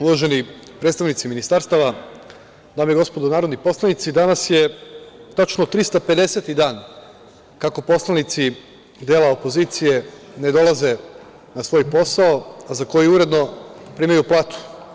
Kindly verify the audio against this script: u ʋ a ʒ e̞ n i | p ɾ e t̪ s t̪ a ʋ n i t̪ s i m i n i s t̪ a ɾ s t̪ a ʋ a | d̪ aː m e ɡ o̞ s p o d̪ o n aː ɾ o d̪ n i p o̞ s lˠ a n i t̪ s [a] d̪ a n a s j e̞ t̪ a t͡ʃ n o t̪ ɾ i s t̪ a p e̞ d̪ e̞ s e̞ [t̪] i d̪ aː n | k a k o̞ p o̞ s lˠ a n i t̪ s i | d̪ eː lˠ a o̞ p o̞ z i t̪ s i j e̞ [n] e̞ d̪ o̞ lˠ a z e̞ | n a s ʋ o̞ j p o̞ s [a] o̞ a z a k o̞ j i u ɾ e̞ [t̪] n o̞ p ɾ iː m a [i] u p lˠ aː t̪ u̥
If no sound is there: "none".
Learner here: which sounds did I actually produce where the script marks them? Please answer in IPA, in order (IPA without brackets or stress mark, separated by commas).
i, t̪, n, a, d̪, j